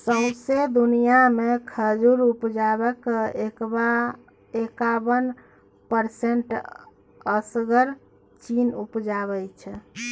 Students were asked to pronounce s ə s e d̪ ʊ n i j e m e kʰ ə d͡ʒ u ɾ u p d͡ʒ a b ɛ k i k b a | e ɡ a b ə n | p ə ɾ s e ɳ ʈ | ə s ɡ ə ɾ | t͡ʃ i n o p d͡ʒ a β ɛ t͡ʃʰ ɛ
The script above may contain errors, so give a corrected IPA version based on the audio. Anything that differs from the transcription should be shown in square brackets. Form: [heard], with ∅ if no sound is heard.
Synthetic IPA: s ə s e d̪ [u] n i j [a] m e kʰ ə d͡ʒ u ɾ u p d͡ʒ a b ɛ k [e] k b a | e [k] a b ə n | p ə ɾ s e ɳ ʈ | ə s ɡ ə ɾ | t͡ʃ i n [u] p d͡ʒ a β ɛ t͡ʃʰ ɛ